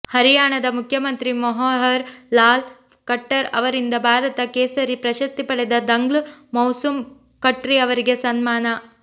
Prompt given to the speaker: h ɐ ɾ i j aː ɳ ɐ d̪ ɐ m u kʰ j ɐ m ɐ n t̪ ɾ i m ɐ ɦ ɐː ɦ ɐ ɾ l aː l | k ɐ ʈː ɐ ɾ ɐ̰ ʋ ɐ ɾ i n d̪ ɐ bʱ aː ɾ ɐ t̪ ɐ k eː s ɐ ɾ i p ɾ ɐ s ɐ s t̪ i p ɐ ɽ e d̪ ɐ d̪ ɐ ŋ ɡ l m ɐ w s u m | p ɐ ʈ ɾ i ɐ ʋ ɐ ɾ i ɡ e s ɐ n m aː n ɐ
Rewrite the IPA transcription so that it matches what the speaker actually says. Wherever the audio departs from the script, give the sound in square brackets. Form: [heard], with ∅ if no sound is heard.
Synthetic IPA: h ɐ ɾ i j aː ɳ ɐ d̪ ɐ m u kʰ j ɐ m ɐ n t̪ ɾ i m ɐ ɦ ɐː ɦ ɐ ɾ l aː l | k ɐ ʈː ɐ ɾ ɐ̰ ʋ ɐ ɾ i n d̪ ɐ bʱ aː ɾ ɐ t̪ ɐ k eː s ɐ ɾ i p ɾ ɐ [ʃ] ɐ s t̪ i p ɐ ɽ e d̪ ɐ d̪ ɐ ŋ ɡ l m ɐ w s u m | [k] ɐ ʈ ɾ i ɐ ʋ ɐ ɾ i ɡ e s ɐ n m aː n ɐ